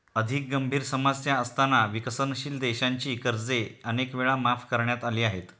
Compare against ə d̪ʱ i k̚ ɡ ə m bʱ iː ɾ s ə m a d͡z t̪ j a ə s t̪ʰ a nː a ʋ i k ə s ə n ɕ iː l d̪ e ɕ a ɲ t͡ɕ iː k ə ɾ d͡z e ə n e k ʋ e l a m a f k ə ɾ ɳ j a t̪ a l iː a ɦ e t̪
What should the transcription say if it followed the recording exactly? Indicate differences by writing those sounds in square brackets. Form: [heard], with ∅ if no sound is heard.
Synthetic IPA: ə d̪ʱ i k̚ ɡ ə m bʱ iː ɾ s ə m a d͡z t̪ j a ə s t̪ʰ a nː a ʋ i k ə s ə n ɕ iː l d̪ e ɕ a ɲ t͡ɕ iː k ə ɾ d͡z e ə n e k ʋ e [ɭ] a m a f k ə ɾ ɳ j a t̪ a l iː a ɦ e t̪